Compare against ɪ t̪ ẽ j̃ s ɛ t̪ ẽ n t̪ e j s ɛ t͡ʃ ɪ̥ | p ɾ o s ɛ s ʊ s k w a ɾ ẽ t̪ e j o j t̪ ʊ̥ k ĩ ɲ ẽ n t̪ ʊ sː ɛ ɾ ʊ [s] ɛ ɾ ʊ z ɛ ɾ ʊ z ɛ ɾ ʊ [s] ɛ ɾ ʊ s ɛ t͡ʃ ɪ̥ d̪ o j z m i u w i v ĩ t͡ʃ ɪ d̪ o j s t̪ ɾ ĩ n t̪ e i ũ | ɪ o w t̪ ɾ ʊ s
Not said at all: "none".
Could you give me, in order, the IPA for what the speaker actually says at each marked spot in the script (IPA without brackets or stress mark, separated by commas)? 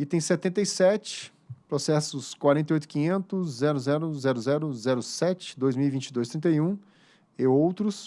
z, z